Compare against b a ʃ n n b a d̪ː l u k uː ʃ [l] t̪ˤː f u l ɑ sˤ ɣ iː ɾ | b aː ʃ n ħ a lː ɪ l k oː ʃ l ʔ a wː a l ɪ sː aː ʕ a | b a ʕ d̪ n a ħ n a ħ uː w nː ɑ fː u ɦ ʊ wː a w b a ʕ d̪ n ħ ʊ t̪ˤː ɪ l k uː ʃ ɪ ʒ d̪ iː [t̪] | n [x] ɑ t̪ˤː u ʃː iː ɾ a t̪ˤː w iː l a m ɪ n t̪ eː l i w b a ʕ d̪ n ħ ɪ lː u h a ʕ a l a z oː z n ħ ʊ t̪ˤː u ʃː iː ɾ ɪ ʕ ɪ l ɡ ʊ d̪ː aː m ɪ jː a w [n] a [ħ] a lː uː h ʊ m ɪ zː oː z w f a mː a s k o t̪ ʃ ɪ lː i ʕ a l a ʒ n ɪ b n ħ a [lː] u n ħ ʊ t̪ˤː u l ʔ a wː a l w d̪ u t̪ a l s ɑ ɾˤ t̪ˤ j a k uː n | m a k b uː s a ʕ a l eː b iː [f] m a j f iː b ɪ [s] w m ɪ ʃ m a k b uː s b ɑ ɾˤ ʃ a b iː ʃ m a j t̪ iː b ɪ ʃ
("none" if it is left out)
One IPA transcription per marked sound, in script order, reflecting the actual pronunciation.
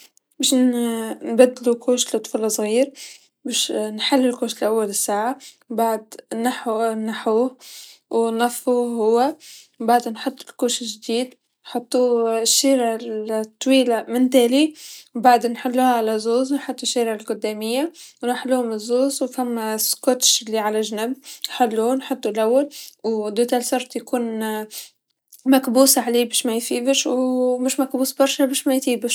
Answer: l, d̪, ħ, n, ħ, lː, ʃ, ʃ

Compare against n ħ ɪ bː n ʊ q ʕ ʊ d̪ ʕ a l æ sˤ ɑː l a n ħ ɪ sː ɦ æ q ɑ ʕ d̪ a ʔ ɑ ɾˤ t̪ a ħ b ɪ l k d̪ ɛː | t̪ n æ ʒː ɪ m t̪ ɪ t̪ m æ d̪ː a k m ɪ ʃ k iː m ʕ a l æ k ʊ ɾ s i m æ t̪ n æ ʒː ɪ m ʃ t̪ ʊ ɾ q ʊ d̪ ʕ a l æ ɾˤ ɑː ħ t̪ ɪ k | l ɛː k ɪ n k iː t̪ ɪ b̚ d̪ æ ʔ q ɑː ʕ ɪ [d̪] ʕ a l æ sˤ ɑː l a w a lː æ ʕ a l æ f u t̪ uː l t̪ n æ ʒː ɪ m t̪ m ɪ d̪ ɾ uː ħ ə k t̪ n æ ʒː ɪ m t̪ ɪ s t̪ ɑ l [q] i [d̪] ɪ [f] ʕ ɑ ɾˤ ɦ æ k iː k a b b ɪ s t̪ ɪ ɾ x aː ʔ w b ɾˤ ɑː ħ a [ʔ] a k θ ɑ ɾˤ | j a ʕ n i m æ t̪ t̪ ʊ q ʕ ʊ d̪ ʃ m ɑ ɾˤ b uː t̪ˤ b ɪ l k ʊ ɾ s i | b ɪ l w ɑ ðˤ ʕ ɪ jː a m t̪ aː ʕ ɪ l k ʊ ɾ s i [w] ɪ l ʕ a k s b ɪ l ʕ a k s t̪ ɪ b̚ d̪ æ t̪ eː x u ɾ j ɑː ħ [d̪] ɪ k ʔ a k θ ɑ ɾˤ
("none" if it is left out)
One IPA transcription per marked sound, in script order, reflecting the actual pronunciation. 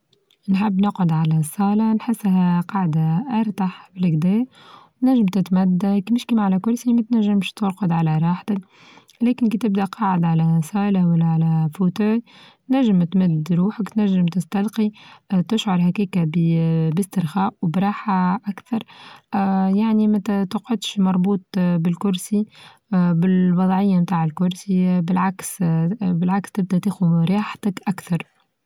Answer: d̪, q, t̪, ʃ, ʔ, b, t̪

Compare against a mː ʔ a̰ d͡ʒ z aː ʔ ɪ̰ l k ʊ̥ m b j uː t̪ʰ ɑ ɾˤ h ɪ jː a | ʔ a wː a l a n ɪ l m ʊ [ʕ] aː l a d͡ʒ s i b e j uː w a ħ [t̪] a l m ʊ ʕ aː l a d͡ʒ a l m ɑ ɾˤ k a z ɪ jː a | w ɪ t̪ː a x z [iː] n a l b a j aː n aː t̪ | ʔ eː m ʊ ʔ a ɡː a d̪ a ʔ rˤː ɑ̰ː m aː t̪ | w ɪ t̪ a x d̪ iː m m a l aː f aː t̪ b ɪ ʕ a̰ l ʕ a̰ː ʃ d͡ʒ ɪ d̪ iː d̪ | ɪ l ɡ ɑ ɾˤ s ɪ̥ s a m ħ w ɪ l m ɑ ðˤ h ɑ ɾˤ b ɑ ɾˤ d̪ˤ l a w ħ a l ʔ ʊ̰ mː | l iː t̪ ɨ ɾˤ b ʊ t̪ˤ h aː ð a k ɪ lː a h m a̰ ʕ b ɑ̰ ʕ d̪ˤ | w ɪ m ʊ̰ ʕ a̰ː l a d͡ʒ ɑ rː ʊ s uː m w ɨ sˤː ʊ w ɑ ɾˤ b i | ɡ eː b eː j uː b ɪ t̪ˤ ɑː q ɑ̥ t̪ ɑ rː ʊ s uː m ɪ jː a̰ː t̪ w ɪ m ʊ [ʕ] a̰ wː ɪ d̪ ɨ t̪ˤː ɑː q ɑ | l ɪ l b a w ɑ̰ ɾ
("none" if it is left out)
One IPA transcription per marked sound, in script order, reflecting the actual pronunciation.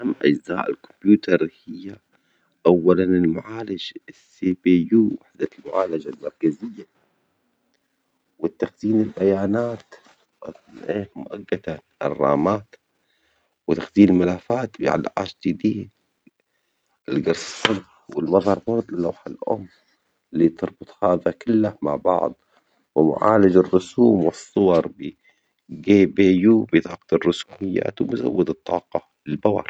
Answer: ʕ, d̪, iː, z

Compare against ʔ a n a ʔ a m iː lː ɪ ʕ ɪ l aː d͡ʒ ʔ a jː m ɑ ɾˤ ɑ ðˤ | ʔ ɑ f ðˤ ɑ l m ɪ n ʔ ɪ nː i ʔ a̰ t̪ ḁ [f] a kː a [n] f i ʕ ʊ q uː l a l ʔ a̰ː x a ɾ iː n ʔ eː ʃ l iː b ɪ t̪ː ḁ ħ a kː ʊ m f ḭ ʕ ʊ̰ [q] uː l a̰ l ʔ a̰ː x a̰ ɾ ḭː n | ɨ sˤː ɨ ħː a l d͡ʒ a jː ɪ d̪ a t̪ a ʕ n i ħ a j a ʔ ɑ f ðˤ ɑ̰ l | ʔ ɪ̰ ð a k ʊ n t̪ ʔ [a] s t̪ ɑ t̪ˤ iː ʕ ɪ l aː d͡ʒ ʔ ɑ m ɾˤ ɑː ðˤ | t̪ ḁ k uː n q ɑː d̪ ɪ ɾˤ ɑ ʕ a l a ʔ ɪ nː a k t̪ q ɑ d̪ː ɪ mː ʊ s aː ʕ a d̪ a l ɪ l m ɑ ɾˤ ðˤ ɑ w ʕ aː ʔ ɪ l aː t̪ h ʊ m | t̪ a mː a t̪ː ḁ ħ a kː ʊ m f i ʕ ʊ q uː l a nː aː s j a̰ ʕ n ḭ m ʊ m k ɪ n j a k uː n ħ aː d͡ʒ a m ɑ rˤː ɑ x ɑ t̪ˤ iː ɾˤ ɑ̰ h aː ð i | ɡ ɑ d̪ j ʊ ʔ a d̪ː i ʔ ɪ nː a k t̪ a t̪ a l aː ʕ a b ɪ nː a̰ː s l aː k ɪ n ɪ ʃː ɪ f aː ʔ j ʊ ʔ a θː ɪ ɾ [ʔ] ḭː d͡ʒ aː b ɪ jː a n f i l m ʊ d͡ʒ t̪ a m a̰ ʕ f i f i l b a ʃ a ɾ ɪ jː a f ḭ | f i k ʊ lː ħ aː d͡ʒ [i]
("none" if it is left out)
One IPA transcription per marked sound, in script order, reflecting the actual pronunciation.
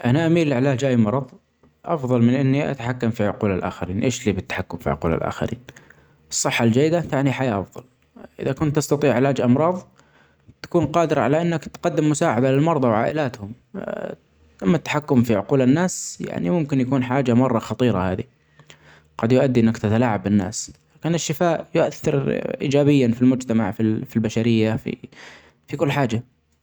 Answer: ħ, m, q, ɑ, ʔ, a

